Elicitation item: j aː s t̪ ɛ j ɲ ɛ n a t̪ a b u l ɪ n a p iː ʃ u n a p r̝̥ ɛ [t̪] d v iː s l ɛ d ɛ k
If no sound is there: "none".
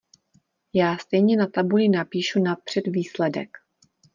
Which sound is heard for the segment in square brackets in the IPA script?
none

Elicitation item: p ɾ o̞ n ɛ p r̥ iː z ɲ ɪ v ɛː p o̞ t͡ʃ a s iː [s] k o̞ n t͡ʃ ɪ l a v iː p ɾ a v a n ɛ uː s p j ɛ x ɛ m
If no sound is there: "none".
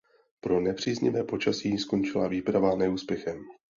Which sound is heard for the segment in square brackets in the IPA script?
s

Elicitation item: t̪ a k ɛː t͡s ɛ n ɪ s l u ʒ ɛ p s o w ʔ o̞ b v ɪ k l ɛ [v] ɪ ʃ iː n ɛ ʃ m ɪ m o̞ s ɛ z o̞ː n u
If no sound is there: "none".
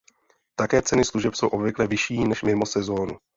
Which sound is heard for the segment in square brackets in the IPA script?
v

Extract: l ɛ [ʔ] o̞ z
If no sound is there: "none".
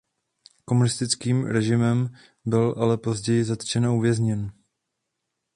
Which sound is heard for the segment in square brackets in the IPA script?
p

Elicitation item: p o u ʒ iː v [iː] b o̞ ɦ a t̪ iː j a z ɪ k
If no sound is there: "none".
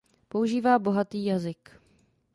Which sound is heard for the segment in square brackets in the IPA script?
aː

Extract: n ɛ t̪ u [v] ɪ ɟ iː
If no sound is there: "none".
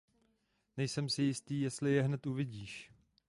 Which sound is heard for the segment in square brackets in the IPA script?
v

